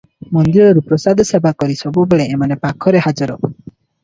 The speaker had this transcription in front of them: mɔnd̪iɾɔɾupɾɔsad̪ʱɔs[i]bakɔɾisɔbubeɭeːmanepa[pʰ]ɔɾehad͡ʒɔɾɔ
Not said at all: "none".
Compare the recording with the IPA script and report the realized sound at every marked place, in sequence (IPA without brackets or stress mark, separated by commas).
e, kʰ